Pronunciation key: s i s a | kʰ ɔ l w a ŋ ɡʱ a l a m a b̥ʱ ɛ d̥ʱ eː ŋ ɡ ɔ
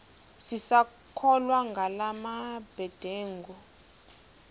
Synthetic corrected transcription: s i s a | kʰ ɔ l w a ŋ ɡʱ a l a m a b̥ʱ ɛ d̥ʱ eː ŋ ɡ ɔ